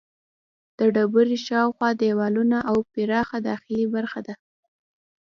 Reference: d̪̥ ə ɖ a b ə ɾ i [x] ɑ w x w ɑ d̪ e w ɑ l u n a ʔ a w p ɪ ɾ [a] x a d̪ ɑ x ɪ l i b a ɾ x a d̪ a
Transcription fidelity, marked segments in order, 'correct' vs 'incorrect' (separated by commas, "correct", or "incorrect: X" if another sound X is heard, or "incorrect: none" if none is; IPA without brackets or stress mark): incorrect: ʃ, incorrect: ɑ